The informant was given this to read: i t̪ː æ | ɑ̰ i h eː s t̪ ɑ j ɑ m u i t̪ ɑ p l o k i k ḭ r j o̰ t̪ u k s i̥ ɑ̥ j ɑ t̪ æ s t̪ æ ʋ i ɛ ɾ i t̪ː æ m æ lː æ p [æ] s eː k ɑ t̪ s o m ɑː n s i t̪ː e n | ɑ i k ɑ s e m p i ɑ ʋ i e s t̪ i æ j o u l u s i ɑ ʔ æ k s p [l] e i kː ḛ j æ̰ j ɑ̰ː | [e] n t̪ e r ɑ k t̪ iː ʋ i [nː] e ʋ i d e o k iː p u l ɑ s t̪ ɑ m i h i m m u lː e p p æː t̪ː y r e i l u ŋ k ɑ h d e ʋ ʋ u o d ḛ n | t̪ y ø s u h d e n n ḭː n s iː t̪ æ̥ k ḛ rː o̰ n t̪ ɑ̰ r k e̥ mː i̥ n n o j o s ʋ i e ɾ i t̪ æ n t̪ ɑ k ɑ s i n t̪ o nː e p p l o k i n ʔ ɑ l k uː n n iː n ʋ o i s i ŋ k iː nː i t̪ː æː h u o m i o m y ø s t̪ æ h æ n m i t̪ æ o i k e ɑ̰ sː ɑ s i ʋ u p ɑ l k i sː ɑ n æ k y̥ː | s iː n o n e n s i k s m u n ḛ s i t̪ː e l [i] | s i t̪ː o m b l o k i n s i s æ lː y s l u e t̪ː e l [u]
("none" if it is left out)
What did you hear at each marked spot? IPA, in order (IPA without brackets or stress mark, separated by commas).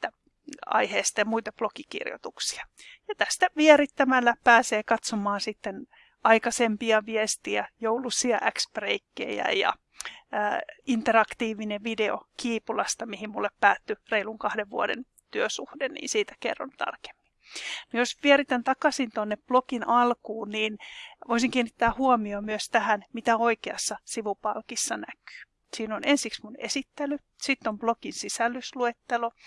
æː, r, i, n, y, o